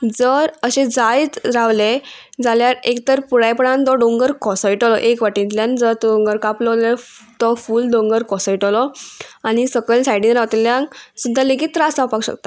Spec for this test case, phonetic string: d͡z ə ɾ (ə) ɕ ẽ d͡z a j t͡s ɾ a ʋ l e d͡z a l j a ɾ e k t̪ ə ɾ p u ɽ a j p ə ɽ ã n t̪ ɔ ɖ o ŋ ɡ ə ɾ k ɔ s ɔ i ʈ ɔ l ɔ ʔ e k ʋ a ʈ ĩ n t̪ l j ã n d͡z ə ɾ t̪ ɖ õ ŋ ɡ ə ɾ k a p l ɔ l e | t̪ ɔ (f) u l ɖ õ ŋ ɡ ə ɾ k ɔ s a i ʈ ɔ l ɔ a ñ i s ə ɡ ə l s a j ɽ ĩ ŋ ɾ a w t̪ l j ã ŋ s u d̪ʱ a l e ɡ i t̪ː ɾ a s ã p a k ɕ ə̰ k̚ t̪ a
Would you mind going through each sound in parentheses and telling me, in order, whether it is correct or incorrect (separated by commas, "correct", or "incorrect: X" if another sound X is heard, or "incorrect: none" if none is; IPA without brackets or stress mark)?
correct, correct